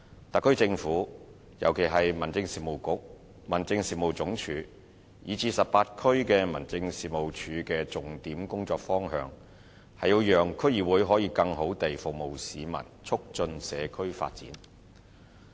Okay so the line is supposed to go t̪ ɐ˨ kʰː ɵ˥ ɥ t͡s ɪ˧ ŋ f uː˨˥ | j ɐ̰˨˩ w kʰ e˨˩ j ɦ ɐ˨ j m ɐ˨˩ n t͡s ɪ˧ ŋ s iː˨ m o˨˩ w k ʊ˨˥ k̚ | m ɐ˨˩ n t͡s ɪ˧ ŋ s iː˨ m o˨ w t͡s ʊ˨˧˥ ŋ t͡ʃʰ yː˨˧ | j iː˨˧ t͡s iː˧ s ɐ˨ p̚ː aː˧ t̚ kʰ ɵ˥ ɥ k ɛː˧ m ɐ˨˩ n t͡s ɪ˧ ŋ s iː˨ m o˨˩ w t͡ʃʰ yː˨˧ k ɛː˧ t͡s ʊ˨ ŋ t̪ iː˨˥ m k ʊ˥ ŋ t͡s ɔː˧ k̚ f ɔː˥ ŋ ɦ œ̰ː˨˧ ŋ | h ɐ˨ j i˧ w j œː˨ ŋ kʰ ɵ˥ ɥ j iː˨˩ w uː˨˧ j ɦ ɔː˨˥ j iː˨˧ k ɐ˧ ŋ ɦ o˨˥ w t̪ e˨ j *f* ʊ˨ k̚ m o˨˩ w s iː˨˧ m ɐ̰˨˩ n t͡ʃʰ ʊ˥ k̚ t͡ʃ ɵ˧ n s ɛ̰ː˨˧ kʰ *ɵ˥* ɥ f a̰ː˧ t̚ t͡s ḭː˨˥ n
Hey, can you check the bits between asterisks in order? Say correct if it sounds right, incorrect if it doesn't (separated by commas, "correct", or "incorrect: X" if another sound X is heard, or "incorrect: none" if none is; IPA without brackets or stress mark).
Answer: correct, correct